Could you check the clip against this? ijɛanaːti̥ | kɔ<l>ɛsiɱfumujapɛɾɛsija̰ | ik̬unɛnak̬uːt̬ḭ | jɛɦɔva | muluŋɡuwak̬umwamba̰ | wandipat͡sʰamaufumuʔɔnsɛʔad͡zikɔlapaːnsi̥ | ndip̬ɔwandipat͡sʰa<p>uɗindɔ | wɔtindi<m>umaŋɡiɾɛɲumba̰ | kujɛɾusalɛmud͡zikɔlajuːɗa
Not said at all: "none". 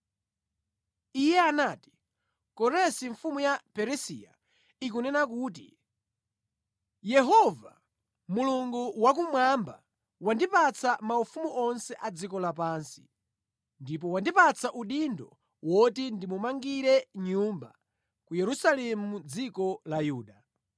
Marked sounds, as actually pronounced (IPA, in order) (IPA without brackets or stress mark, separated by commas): ɾ, ʔ, m